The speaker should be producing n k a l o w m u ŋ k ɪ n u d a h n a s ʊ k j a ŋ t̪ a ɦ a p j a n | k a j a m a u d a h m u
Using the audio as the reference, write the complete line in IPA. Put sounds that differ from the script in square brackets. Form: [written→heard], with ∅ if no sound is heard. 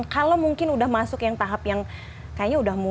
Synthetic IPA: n k a l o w m u ŋ k ɪ n u d a h [n→m] a s ʊ k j a ŋ t̪ a ɦ a p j a [n→ŋ] | k a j a [m→ɲ] a u d a h m u